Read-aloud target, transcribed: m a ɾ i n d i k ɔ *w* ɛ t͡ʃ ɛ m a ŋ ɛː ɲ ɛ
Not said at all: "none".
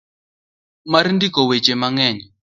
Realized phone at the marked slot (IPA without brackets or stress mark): w